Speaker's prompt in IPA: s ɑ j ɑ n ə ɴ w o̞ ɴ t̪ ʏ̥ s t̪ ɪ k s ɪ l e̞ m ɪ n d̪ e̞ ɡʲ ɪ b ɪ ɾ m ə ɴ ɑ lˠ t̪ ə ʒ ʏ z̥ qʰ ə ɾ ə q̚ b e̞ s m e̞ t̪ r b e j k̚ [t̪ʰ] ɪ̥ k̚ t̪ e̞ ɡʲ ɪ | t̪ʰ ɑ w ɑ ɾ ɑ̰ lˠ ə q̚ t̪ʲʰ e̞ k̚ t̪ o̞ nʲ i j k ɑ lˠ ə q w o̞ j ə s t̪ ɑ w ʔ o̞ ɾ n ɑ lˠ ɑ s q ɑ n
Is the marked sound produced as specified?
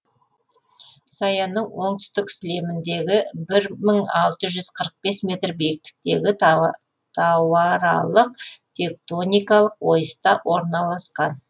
no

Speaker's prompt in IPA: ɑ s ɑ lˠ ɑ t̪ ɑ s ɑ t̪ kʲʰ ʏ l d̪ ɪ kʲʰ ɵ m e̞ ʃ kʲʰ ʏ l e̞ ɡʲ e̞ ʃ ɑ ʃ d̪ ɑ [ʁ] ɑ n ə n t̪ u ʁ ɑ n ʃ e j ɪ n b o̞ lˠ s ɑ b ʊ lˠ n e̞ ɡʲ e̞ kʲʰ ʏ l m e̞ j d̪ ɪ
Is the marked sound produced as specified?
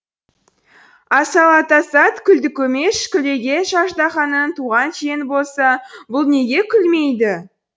no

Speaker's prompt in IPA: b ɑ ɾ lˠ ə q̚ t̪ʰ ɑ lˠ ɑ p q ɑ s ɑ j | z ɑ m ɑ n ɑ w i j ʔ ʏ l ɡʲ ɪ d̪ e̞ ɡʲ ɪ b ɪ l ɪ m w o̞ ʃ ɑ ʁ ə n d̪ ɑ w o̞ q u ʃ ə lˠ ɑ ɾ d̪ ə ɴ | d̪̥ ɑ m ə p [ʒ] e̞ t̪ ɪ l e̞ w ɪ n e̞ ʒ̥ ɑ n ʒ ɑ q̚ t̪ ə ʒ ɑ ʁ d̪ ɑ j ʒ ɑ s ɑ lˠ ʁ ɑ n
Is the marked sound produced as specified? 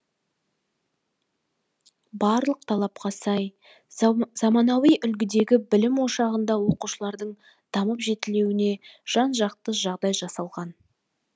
yes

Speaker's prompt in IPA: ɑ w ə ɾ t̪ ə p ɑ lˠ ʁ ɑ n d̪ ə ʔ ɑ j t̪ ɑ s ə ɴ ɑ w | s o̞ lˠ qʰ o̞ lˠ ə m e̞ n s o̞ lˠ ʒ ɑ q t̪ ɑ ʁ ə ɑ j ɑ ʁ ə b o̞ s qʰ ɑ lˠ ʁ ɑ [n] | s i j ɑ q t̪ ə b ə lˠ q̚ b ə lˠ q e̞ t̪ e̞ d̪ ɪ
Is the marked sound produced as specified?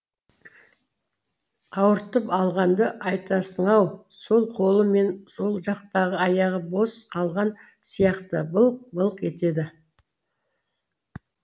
yes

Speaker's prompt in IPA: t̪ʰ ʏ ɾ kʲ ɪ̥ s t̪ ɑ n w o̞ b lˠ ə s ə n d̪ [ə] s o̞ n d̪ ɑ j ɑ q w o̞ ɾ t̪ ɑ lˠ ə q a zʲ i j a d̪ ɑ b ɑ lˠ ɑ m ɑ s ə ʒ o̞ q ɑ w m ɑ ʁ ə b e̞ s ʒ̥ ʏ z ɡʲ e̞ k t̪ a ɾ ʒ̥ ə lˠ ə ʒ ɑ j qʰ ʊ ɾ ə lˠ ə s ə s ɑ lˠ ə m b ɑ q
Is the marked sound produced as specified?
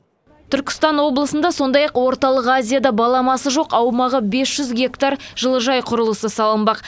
no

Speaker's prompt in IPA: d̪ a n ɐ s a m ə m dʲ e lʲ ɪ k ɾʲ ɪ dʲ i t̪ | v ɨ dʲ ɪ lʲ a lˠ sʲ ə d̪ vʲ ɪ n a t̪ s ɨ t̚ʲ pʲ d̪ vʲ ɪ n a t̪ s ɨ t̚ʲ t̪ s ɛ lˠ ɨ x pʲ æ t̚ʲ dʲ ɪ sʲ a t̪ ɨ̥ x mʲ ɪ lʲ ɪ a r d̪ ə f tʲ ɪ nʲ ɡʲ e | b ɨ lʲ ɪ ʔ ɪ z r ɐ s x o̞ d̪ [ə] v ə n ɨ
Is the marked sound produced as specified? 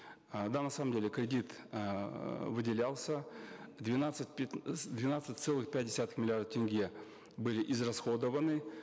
yes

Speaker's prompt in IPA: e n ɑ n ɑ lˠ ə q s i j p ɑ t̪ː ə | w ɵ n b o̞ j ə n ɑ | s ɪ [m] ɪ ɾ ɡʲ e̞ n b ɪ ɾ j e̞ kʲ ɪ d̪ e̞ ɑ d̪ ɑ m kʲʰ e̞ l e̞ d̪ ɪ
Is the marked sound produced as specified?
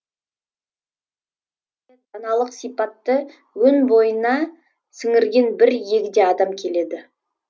no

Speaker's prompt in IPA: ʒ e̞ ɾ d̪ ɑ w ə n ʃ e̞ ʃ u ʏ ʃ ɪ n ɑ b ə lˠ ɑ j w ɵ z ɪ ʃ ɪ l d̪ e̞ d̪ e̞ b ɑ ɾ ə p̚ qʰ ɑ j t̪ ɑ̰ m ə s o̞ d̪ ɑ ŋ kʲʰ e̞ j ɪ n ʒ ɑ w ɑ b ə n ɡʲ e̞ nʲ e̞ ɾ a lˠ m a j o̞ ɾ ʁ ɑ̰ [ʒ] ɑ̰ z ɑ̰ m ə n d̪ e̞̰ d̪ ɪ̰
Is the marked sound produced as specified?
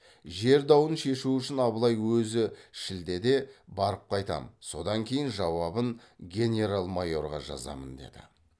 yes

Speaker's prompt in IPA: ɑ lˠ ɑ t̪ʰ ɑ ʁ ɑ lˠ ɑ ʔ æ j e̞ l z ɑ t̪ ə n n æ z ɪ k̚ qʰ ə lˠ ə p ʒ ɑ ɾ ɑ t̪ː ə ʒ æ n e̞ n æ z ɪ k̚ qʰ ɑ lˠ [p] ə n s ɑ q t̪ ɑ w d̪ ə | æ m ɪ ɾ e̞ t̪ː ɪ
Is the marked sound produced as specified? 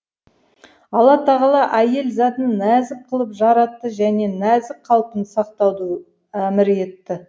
yes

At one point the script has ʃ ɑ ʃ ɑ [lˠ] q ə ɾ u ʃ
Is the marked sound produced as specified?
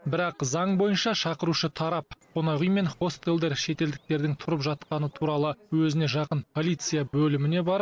no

